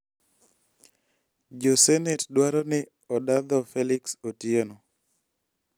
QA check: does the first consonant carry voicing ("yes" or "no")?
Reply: yes